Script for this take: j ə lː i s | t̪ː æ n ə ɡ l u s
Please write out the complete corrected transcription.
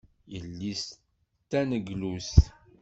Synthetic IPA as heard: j ə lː i s | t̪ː æ n ə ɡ l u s